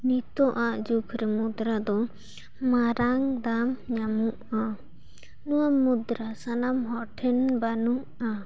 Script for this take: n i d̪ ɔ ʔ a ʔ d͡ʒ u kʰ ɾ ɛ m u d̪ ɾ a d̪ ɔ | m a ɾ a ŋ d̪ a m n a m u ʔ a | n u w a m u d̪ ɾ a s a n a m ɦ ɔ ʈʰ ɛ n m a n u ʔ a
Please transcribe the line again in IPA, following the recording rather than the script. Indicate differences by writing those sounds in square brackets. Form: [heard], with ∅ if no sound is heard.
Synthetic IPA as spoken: n i [t̪] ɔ ʔ a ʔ d͡ʒ u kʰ ɾ ɛ m u d̪ ɾ a d̪ ɔ | m a ɾ a ŋ d̪ a m [ɲ] a m u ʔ a | n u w a m u d̪ ɾ a s a n a m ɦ ɔ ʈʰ ɛ n [b] a n u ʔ a